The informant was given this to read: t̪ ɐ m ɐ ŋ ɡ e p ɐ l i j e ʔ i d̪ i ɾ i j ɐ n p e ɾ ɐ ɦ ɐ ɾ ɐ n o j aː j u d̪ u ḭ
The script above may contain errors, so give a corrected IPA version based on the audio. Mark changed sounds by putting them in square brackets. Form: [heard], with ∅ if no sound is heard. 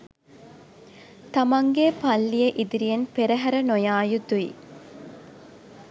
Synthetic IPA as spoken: t̪ ɐ m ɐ ŋ ɡ e p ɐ [lː] i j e ʔ i d̪ i ɾ i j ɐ n p e ɾ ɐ ɦ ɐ ɾ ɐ n o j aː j u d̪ u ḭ